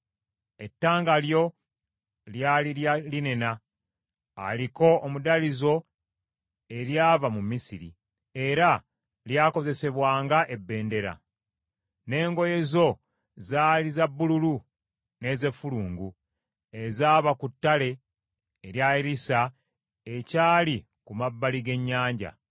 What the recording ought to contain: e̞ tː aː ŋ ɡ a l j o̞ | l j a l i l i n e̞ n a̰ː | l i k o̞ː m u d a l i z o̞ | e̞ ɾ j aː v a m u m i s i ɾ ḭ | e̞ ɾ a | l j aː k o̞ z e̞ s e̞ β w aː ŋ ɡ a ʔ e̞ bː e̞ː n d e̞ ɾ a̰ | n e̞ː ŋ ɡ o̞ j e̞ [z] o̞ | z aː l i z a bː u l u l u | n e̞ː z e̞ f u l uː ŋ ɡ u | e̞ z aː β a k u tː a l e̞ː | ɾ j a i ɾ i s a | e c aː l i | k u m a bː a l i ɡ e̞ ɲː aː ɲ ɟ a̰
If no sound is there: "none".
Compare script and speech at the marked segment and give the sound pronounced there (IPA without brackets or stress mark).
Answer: z